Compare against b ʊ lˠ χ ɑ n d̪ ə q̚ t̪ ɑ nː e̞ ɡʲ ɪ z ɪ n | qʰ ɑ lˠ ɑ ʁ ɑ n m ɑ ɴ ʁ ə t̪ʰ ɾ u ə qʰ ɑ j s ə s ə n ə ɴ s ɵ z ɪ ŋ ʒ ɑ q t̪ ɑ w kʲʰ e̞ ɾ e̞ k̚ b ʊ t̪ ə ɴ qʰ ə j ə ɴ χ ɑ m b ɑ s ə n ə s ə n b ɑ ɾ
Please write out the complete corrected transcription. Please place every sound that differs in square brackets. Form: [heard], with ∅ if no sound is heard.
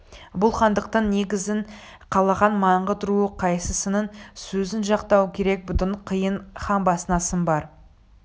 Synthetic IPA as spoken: b ʊ lˠ χ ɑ n d̪ ə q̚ t̪ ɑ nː e̞ ɡʲ ɪ z ɪ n | qʰ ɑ lˠ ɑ ʁ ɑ n m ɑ ɴ ʁ ə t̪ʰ ɾ u ə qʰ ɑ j s ə s ə n ə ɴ s ɵ z ɪ [n] ʒ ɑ q t̪ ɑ w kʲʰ e̞ ɾ e̞ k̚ b ʊ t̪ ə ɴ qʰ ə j ə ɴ χ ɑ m b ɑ s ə n [ɑ] s ə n b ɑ ɾ